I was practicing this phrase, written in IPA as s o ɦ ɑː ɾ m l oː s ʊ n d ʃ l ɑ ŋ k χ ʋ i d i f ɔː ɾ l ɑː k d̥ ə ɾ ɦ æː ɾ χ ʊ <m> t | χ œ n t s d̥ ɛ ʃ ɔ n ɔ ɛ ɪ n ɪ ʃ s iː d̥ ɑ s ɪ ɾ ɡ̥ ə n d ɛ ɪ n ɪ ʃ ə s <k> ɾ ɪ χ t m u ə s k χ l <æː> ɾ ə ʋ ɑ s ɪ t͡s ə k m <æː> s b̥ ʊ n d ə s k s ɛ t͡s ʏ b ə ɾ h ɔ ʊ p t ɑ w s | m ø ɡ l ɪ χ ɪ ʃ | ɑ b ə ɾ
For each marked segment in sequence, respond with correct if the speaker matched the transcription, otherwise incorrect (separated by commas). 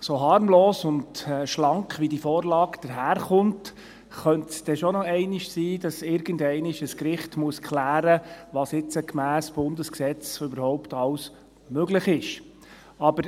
incorrect, correct, correct, correct